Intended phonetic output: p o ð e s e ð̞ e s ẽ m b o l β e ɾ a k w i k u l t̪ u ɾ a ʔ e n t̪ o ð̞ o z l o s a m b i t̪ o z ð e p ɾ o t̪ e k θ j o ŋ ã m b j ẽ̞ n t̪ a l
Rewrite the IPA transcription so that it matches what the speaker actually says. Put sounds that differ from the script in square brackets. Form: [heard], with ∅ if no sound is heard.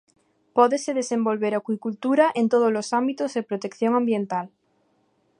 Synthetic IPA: p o ð e s e ð̞ e s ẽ m b o l β e ɾ a k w i k u l t̪ u ɾ a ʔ e n t̪ o ð̞ o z l o s a m b i t̪ o z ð e p ɾ o t̪ e k θ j o ŋ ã m b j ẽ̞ n t̪ a l